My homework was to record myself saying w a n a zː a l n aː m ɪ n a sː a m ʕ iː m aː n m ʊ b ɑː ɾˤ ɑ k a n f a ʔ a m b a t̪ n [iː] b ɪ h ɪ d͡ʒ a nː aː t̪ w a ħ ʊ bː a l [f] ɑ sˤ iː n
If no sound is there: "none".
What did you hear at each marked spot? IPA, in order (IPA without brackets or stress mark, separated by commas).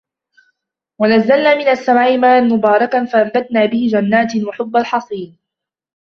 aː, ħ